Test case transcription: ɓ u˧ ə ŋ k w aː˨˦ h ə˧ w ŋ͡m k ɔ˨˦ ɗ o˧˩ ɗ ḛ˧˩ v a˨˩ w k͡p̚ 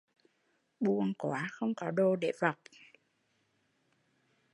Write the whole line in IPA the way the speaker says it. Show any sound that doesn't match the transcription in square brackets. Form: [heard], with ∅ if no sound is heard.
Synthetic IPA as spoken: ɓ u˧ ə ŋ k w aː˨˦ [x] ə˧ w ŋ͡m k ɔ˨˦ ɗ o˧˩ ɗ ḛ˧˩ v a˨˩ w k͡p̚